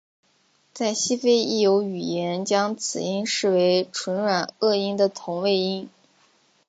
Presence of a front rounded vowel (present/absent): present